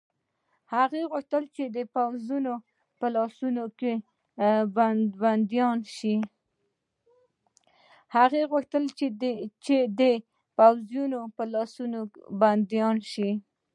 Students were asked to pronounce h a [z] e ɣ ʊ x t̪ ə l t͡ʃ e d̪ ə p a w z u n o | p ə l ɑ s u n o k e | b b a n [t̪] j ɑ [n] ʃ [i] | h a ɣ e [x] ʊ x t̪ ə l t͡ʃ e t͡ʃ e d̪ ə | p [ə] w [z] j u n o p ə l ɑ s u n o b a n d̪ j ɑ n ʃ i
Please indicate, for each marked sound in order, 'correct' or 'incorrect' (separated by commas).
incorrect, incorrect, correct, correct, incorrect, incorrect, correct